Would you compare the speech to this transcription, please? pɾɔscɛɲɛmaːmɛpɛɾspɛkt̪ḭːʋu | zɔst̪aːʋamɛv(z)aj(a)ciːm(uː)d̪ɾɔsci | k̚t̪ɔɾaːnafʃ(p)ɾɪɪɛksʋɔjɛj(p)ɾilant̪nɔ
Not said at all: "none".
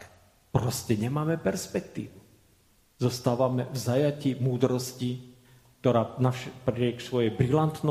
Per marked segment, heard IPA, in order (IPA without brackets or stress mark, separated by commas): z, a, uː, p, b